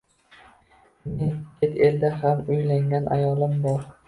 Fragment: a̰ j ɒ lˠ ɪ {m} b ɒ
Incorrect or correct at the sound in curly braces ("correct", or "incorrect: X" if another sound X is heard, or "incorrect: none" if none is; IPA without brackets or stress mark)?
correct